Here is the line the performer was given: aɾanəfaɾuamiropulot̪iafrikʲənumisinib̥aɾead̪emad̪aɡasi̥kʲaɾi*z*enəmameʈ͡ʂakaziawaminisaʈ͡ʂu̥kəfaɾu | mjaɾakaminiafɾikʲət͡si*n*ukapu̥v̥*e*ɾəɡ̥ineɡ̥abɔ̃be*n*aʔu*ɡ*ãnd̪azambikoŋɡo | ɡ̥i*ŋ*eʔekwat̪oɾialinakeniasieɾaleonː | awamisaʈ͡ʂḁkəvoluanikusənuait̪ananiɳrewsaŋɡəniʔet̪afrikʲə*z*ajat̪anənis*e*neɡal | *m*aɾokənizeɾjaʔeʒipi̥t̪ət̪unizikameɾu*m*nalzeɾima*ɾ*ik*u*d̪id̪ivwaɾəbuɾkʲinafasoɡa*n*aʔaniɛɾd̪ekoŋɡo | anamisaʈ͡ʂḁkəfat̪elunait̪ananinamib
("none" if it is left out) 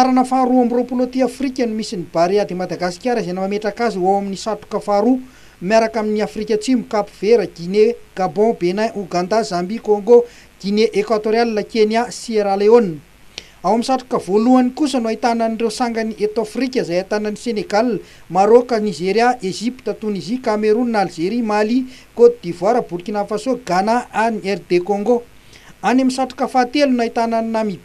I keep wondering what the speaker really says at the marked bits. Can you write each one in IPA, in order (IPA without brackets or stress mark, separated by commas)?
z, m, e, n, ɡ, n, z, e, m, n, l, o, n